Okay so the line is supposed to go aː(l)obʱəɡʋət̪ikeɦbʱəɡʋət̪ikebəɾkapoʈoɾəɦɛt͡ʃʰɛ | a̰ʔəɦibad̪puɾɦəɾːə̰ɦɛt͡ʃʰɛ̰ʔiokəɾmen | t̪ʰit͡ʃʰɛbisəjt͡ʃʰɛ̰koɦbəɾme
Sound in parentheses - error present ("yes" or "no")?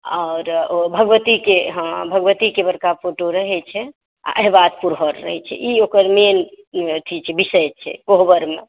yes